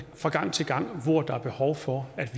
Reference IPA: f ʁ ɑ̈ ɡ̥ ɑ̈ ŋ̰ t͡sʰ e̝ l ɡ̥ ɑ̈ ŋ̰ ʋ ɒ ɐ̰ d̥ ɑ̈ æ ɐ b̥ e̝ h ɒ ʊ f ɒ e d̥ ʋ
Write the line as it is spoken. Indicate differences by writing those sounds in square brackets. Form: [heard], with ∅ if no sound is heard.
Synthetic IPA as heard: f ʁ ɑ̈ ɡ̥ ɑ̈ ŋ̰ t͡sʰ e̝ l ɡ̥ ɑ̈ ŋ̰ ʋ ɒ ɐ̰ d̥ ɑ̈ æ ɐ b̥ e̝ h ɒ ʊ f ɒ [æ] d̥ ʋ